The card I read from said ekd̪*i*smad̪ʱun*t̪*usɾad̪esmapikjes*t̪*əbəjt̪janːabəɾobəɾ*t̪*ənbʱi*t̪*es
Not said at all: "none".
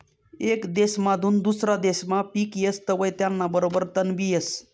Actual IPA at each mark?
e, d̪, t̪, t̪, none

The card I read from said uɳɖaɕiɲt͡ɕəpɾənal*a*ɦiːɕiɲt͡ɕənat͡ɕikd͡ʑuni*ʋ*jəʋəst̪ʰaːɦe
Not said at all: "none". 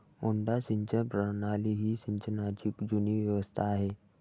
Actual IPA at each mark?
i, ʋ

